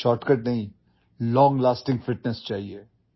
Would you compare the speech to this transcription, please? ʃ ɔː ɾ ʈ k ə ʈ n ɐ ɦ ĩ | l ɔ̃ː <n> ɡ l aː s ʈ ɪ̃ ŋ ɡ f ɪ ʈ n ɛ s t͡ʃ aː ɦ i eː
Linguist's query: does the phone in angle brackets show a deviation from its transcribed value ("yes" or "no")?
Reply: yes